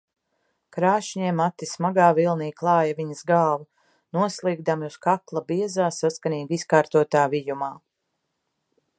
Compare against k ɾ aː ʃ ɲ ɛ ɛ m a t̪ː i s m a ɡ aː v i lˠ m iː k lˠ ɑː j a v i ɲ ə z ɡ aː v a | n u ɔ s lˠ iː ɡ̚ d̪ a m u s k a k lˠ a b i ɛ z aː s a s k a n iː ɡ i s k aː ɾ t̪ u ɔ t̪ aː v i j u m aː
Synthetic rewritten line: k ɾ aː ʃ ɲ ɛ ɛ m a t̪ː i s m a ɡ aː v i lˠ n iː k lˠ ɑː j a v i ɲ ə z ɡ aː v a | n u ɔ s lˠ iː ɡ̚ d̪ a m u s k a k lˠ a b i ɛ z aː s a s k a n iː ɡ i s k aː ɾ t̪ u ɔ t̪ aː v i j u m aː